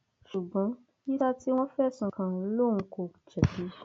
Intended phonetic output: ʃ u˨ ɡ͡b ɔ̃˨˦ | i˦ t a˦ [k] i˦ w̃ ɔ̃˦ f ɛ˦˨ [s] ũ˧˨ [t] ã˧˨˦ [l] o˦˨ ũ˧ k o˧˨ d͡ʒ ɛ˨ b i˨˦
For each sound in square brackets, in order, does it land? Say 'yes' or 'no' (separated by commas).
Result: no, yes, no, yes